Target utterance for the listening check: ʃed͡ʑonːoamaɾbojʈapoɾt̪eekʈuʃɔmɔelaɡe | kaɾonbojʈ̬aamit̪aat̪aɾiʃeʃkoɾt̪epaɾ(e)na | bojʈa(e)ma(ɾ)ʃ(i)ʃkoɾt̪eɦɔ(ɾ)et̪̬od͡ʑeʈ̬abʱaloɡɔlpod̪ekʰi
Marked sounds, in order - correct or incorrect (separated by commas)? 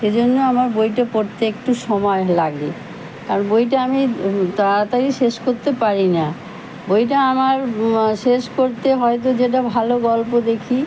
incorrect, incorrect, correct, incorrect, incorrect